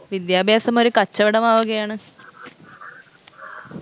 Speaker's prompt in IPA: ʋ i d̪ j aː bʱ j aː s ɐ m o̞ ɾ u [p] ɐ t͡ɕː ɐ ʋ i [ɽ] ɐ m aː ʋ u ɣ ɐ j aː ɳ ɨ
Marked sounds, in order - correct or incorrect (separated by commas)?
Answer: incorrect, correct